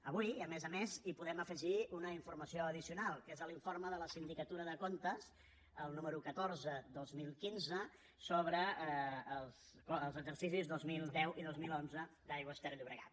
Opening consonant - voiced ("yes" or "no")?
yes